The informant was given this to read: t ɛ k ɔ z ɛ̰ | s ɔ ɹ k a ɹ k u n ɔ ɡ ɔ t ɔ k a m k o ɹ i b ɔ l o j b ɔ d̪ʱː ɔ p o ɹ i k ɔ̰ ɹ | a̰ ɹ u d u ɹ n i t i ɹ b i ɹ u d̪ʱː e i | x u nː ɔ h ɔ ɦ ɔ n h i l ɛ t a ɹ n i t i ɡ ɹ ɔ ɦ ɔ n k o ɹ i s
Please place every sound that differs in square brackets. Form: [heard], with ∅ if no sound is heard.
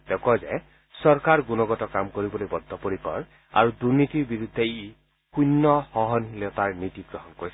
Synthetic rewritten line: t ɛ k ɔ z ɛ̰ | s ɔ ɹ k a ɹ [ɡ] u n ɔ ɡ ɔ t ɔ k a m k o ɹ i b ɔ l o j b ɔ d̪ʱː ɔ p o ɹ i k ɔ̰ ɹ | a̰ ɹ u d u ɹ n i t i ɹ b i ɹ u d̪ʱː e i | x u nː ɔ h ɔ ɦ ɔ n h i l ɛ t a ɹ n i t i ɡ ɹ ɔ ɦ ɔ n k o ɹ i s